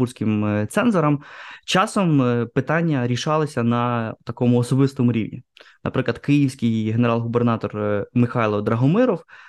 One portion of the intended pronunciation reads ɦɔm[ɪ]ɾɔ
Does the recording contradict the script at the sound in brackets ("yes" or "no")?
no